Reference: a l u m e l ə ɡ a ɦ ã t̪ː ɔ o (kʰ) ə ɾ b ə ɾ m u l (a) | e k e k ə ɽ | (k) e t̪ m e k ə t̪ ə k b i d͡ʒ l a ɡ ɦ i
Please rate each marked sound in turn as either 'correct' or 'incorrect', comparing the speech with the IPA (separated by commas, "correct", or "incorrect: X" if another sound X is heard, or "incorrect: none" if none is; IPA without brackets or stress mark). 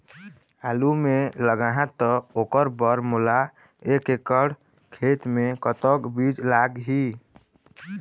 incorrect: k, correct, incorrect: kʰ